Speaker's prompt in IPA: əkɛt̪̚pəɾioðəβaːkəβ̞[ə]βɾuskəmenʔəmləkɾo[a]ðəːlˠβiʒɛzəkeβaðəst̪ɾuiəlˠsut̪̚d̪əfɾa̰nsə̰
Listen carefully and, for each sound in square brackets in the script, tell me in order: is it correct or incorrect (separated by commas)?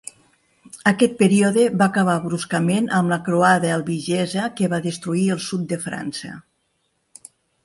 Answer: incorrect, correct